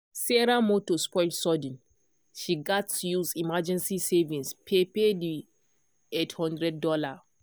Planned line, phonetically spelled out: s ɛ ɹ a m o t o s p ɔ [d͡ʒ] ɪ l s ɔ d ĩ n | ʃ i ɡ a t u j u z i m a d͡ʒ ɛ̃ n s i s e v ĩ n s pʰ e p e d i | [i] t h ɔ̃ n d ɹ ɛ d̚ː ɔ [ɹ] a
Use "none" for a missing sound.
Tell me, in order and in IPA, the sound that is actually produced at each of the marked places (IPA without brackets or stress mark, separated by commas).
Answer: none, e, l